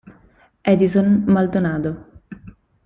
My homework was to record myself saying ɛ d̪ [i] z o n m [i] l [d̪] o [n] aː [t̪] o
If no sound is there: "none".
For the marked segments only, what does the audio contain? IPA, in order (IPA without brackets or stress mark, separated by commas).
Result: i, a, d̪, n, d̪